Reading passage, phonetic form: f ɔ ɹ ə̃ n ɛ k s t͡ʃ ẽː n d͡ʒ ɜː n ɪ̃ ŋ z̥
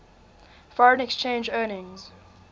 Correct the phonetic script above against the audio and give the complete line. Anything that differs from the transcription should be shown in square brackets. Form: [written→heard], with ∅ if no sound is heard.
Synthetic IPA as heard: f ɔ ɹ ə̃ n ɛ k s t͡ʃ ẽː n d͡ʒ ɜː n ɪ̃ ŋ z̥